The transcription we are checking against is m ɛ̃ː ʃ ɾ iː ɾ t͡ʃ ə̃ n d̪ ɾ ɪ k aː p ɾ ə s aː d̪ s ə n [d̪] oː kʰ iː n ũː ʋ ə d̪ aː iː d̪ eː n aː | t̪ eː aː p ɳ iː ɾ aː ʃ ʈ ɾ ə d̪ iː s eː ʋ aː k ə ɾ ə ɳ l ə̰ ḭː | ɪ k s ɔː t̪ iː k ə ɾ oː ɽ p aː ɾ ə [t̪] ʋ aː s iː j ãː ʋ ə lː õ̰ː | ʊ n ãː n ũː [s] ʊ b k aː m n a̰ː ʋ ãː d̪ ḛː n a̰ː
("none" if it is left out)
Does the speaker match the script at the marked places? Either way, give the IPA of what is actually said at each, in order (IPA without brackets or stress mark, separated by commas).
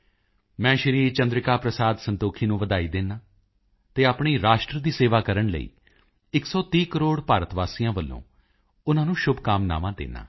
t̪, t̪, ʃ